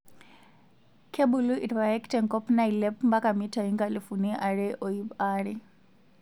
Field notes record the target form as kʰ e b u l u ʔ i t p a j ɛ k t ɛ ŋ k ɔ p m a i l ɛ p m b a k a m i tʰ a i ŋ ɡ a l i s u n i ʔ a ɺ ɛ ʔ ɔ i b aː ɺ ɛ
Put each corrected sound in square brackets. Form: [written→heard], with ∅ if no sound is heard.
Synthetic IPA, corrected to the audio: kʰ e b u l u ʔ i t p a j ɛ k t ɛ ŋ k ɔ p [m→n] a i l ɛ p m b a k a m i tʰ a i ŋ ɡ a l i [s→f] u n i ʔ a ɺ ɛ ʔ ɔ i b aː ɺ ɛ